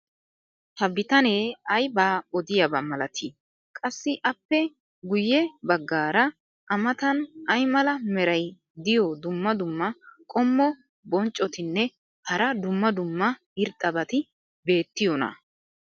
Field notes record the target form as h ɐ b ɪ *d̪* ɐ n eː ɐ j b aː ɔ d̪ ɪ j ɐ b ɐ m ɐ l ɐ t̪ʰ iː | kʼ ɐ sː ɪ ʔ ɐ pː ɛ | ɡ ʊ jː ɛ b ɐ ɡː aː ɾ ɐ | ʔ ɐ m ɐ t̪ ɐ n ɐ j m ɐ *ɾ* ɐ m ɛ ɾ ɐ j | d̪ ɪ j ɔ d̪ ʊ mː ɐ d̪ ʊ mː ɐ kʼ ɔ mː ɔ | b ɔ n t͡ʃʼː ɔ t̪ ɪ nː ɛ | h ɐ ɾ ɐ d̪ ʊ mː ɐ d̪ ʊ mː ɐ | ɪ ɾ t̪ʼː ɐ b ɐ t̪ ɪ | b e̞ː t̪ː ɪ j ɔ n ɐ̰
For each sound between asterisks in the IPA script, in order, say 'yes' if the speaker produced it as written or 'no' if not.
no, no

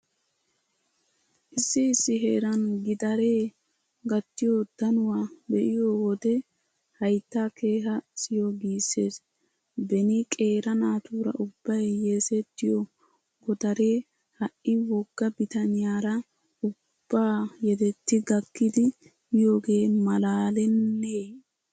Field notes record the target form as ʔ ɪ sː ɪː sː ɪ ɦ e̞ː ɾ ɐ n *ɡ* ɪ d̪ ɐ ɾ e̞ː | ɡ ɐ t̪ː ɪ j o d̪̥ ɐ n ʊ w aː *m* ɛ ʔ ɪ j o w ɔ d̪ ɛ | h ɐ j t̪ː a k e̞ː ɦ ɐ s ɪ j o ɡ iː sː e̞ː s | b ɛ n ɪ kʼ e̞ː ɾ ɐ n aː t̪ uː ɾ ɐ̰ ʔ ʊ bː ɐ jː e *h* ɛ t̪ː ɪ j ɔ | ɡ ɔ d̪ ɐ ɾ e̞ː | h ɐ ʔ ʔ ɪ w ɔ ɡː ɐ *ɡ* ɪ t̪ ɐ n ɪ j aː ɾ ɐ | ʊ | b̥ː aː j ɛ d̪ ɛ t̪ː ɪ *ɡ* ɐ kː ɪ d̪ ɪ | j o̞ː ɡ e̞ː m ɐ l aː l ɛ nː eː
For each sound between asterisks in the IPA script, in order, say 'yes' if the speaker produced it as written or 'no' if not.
yes, no, no, no, yes

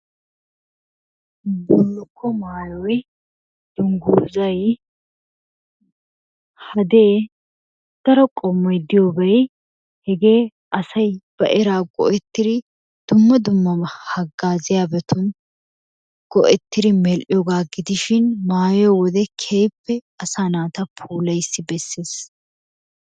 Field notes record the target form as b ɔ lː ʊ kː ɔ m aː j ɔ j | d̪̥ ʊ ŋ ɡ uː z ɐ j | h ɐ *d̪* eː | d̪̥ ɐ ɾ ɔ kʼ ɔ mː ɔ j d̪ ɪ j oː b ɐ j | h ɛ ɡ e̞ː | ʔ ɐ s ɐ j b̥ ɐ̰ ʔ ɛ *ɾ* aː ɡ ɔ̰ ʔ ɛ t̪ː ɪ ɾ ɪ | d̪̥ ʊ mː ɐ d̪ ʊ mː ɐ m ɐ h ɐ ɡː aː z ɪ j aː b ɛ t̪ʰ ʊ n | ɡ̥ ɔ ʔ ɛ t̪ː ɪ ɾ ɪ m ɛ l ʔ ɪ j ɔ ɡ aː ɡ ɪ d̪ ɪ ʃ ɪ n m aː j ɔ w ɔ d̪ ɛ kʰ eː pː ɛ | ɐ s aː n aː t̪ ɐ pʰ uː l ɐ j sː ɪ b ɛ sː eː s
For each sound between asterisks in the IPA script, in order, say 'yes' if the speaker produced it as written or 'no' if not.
yes, yes

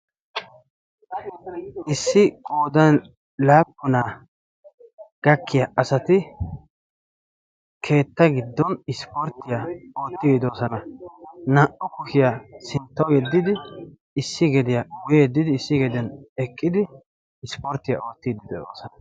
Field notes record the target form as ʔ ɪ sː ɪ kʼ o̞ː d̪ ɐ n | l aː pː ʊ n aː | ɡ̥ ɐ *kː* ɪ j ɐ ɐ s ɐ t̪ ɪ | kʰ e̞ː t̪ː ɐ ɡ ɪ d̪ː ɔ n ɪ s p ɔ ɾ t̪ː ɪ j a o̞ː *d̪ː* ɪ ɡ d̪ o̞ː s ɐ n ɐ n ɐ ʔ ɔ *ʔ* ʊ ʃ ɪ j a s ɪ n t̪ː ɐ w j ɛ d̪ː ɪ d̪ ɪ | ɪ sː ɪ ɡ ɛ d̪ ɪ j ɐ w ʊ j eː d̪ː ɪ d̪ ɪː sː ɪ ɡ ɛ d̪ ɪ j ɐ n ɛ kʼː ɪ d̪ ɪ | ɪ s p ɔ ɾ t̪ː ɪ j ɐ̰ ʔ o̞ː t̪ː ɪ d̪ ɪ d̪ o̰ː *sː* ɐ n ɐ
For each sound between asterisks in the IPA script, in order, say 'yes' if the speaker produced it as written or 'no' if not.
yes, no, no, no

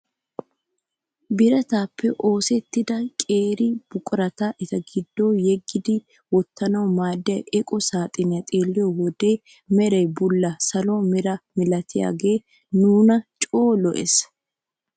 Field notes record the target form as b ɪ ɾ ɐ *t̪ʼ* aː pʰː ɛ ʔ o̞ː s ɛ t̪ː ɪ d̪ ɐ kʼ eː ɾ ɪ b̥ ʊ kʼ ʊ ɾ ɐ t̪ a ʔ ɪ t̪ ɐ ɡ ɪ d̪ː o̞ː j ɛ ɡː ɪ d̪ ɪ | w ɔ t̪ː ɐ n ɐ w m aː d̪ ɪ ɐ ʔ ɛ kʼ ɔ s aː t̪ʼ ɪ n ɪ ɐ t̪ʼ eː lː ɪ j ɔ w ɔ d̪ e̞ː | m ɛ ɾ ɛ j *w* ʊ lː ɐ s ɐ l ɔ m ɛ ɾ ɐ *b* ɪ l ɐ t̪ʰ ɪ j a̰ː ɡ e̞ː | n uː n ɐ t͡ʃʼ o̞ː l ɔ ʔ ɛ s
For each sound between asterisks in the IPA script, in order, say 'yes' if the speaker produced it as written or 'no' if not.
no, no, no

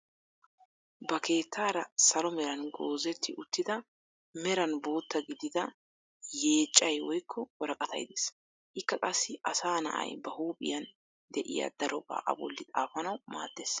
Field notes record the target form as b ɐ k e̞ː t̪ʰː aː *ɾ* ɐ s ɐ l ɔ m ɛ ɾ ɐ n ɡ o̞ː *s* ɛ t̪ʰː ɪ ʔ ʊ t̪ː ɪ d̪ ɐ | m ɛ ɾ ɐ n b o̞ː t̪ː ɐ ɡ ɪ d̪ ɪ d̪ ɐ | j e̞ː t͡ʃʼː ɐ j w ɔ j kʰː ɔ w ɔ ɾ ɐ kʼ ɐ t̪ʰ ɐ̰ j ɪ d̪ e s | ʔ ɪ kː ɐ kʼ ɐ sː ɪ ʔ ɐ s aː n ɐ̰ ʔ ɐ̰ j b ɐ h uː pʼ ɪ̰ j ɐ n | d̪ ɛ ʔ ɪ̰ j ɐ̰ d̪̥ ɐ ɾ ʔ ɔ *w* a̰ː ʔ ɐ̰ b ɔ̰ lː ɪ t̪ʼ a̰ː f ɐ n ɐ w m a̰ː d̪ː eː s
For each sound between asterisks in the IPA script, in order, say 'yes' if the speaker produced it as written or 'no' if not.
yes, no, no

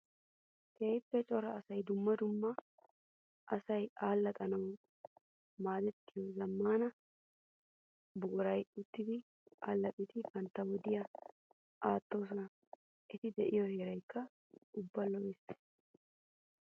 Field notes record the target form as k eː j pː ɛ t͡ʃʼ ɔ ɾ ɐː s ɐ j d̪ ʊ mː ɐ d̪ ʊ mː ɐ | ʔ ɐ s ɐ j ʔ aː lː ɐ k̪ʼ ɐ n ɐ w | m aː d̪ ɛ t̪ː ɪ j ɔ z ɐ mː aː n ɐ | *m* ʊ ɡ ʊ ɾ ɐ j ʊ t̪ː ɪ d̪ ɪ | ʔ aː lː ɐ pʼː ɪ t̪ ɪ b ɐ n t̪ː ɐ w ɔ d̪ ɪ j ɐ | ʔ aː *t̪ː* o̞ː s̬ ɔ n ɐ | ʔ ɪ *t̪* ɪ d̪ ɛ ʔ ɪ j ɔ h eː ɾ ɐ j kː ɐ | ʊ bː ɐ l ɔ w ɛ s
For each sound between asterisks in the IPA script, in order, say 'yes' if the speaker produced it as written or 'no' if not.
no, yes, yes

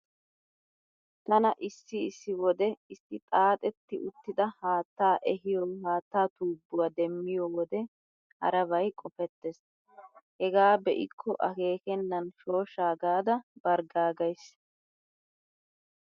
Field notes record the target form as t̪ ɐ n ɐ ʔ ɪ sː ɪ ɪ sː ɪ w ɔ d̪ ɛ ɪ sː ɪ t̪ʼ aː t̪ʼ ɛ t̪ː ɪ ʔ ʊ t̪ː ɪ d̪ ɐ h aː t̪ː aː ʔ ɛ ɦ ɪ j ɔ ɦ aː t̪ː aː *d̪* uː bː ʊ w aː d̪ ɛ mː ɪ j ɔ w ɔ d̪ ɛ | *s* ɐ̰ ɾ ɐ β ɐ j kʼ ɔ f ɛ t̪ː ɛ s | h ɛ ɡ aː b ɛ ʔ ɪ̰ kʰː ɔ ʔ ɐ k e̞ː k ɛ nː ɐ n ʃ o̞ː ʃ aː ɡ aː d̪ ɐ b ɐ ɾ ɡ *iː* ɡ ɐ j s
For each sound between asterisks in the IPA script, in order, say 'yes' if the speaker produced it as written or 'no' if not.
no, no, no

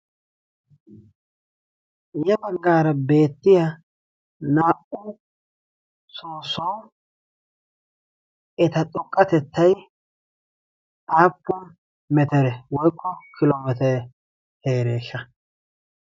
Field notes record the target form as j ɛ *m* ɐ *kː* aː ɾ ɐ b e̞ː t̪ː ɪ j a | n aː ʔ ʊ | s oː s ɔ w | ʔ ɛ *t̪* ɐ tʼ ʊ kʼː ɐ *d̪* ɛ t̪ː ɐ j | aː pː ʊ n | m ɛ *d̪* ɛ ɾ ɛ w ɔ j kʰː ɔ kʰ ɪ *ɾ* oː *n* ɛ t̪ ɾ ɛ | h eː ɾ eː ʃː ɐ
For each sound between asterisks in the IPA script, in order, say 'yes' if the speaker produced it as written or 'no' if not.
no, no, yes, no, no, no, no

